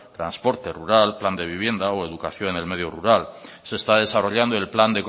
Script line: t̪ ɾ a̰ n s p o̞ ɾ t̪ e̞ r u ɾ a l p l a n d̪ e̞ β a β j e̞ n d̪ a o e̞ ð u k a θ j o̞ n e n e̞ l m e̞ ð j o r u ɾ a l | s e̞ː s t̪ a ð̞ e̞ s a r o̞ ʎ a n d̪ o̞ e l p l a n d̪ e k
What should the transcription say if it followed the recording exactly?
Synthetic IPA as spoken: t̪ ɾ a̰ n s p o̞ ɾ t̪ e̞ r u ɾ a l p l a n d̪ e̞ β i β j e̞ n d̪ a o e̞ ð u k a θ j o̞ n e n e̞ l m e̞ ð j o r u ɾ a l | s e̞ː s t̪ a ð̞ e̞ s a r o̞ ʎ a n d̪ o̞ e l p l a n d̪ e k